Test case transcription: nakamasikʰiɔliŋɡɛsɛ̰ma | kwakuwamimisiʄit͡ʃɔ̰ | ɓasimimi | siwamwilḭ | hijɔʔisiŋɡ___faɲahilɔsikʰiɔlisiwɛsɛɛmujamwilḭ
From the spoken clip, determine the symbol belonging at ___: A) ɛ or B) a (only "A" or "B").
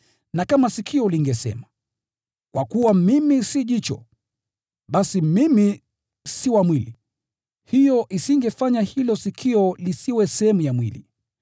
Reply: A